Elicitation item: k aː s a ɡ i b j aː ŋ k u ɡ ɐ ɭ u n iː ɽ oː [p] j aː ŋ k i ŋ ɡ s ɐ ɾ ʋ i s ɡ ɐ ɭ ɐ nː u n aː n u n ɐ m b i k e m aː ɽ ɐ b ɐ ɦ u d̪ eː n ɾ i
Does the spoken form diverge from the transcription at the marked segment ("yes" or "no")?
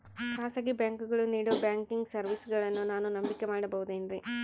yes